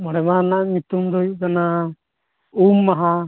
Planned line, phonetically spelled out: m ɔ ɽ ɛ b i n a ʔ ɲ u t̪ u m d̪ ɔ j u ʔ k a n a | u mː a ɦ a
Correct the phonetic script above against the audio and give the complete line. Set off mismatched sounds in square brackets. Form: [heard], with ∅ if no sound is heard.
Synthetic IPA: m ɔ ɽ ɛ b [a] n a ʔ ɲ u t̪ u m d̪ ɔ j u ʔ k a n a | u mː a ɦ a